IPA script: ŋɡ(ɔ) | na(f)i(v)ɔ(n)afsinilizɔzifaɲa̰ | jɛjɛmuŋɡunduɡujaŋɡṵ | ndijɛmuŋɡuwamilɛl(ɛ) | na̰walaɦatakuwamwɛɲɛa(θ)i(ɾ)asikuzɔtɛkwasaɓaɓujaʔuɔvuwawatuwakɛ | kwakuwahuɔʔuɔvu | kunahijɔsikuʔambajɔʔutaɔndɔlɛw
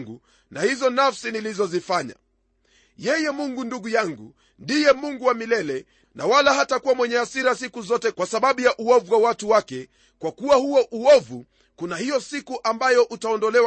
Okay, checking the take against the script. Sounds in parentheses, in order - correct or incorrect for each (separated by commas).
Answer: incorrect, incorrect, incorrect, correct, correct, incorrect, correct